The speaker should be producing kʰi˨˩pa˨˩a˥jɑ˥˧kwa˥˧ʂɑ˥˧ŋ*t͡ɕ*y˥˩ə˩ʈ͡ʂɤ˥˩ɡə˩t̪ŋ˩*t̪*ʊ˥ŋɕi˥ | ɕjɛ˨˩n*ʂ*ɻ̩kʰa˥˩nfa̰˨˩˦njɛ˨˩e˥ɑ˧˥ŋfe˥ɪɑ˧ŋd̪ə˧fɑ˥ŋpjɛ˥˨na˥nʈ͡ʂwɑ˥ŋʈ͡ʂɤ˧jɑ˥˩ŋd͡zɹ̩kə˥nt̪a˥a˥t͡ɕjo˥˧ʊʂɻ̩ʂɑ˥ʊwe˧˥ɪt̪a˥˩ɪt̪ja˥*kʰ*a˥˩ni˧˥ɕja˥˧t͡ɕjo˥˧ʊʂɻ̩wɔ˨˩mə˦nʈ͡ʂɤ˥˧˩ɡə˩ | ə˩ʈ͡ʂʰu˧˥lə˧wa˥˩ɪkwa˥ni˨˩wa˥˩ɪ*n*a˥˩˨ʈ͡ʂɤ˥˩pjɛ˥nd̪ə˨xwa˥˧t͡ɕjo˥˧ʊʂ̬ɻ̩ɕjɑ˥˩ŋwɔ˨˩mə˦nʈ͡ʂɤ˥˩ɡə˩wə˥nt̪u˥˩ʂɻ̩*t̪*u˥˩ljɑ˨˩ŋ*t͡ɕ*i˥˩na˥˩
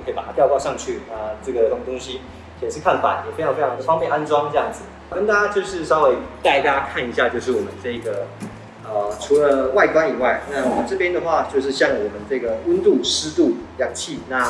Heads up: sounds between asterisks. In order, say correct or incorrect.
incorrect: t͡ɕʰ, correct, correct, correct, correct, correct, incorrect: t͡ɕʰ

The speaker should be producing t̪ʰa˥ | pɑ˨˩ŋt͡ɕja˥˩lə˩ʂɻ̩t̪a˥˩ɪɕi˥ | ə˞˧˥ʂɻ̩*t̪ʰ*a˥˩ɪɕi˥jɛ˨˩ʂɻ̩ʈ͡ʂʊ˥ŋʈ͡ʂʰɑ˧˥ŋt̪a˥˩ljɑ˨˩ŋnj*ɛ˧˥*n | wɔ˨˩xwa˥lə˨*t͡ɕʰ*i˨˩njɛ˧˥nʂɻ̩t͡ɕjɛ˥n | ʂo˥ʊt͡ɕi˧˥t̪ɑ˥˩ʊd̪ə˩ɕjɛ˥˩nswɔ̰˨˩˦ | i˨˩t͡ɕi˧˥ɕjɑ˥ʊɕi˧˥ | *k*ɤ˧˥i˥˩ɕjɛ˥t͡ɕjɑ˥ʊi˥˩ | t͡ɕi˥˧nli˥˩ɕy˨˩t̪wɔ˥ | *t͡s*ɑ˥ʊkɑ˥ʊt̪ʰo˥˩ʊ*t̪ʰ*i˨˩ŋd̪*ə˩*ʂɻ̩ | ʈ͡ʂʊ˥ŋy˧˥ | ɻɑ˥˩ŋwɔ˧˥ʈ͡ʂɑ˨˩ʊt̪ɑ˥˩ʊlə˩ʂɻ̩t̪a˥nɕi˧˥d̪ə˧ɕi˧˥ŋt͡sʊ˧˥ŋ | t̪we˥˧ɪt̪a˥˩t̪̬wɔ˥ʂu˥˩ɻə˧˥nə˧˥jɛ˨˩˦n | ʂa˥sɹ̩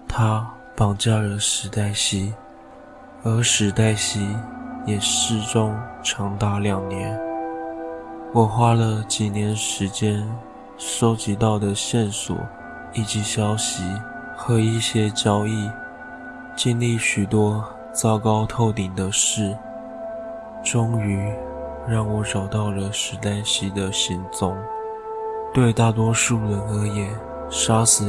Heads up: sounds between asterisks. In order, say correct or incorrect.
incorrect: t̪, correct, incorrect: t͡ɕ, incorrect: x, correct, incorrect: t̪, incorrect: ə˦

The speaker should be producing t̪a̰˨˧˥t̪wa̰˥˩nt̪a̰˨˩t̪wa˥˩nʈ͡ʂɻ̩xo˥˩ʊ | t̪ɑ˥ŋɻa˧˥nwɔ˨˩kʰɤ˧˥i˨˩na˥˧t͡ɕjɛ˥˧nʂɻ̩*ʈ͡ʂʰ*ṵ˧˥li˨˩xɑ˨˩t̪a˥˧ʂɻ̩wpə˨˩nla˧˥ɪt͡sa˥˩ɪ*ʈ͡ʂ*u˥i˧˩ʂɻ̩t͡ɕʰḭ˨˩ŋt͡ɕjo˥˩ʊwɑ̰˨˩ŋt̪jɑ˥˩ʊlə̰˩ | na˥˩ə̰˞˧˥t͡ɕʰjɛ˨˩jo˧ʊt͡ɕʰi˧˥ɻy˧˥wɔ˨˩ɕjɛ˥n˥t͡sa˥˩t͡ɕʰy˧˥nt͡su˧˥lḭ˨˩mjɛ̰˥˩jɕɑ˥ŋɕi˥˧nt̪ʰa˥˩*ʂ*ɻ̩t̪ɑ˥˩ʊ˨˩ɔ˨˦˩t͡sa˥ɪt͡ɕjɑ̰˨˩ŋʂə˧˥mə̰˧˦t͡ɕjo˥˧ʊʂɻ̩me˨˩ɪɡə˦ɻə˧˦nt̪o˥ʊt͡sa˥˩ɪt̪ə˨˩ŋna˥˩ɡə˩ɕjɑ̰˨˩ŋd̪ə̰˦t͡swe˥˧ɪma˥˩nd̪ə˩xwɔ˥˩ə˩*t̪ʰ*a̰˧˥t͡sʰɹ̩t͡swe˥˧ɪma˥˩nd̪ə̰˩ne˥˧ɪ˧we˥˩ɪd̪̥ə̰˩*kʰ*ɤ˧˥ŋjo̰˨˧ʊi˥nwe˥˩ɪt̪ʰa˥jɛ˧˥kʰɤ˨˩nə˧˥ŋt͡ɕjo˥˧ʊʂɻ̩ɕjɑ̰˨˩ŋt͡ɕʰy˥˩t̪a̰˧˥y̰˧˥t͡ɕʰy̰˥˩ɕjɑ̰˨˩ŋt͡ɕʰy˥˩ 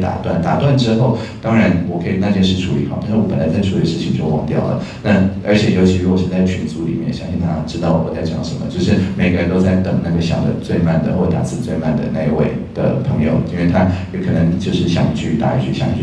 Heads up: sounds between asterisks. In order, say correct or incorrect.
correct, incorrect: ʈ͡ʂʰ, incorrect: ʈ͡ʂ, incorrect: t̪, incorrect: pʰ

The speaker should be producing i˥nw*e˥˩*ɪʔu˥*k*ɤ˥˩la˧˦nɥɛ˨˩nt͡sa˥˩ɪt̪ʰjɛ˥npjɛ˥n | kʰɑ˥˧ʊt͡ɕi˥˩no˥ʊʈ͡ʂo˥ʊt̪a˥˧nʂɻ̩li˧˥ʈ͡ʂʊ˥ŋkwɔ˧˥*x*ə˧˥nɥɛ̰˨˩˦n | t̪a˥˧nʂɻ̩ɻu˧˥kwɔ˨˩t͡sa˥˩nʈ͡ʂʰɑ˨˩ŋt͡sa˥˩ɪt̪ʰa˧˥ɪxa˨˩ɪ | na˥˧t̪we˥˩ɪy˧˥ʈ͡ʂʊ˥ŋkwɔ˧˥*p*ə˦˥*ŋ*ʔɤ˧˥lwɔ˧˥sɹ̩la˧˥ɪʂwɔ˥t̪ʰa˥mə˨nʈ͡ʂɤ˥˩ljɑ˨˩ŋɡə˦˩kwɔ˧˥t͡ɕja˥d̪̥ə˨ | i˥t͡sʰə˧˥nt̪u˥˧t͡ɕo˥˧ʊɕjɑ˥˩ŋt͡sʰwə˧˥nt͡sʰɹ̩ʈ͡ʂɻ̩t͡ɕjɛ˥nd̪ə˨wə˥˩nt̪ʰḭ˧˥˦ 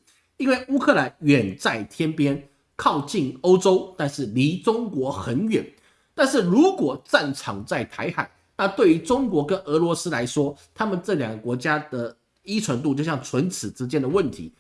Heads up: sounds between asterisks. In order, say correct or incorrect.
correct, incorrect: kʰ, correct, incorrect: k, incorrect: n

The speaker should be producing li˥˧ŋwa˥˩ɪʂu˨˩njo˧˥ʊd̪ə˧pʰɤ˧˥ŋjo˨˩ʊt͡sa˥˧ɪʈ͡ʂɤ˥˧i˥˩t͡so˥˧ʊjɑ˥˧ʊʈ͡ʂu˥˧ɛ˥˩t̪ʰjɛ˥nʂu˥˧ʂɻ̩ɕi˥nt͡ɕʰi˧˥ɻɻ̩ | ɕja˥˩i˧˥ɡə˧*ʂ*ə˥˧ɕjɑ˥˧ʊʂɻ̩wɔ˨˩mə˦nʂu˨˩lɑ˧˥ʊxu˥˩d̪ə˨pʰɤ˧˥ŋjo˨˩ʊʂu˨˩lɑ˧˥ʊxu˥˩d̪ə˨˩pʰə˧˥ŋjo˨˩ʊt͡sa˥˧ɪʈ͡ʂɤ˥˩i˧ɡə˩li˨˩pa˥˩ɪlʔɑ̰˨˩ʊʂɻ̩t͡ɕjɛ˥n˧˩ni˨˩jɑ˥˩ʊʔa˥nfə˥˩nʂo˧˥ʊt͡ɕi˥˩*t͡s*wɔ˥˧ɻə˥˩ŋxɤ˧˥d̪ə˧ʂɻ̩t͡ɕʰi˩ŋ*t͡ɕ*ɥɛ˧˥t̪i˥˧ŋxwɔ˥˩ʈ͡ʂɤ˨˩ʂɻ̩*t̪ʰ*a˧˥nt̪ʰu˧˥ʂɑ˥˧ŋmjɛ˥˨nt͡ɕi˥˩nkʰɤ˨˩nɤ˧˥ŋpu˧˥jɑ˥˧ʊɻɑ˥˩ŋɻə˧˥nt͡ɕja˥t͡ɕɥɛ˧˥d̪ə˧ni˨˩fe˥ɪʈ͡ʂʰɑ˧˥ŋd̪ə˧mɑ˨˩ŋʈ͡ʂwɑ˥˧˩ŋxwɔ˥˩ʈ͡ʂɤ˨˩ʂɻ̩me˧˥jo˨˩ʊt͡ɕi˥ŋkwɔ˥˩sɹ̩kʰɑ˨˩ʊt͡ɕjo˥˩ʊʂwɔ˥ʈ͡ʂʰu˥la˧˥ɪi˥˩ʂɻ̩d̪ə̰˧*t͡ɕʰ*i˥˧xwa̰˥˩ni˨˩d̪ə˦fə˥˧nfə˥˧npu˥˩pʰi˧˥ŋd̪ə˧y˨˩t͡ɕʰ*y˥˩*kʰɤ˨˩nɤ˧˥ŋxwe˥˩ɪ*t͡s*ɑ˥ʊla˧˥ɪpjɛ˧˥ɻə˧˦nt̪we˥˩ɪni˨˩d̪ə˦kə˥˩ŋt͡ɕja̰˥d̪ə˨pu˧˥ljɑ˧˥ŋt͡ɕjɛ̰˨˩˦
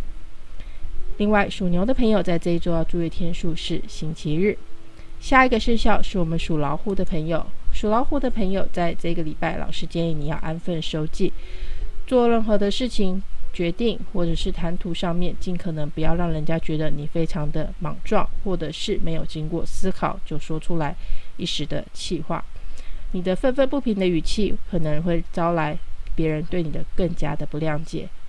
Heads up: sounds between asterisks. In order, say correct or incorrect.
correct, correct, correct, correct, correct, incorrect: i˥˩, correct

